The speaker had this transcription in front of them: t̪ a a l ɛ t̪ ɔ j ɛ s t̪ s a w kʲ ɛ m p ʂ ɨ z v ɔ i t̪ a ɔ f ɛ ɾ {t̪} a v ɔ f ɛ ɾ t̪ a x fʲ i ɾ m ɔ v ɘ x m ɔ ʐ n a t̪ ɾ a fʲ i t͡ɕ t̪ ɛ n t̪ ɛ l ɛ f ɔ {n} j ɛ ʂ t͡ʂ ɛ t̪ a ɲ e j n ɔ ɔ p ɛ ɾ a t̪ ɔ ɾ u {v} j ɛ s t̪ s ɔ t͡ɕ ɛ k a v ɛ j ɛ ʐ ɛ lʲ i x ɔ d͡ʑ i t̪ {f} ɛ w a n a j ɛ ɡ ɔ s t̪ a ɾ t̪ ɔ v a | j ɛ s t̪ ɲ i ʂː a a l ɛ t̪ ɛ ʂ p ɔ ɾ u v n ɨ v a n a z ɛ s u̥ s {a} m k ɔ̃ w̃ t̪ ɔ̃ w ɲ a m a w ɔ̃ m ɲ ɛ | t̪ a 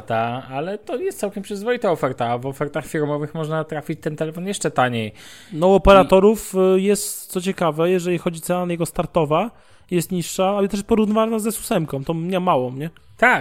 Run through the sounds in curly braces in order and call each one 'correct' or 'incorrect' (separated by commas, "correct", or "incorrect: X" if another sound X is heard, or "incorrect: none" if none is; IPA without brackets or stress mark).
correct, correct, incorrect: f, incorrect: s, incorrect: ɛ